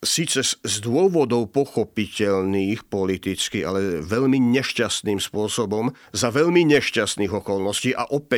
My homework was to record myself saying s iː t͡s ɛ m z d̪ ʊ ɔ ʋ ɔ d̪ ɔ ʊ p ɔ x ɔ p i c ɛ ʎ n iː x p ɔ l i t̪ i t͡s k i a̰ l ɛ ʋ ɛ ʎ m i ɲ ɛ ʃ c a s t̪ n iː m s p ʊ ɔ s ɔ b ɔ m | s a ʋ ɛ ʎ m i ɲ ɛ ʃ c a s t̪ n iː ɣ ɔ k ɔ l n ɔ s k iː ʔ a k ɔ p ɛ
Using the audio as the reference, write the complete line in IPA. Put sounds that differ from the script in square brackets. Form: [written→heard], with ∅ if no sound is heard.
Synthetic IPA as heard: s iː t͡s ɛ [m→∅] z d̪ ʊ ɔ ʋ ɔ d̪ ɔ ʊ p ɔ x ɔ p i c ɛ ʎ n iː x p ɔ l i t̪ i t͡s k i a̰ l ɛ ʋ ɛ ʎ m i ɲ ɛ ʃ c a s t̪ n iː m s p ʊ ɔ s ɔ b ɔ m | [s→z] a ʋ ɛ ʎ m i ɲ ɛ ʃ c a s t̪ n iː ɣ ɔ k ɔ l n ɔ s [k→c] iː ʔ a [k→ʔ] ɔ p ɛ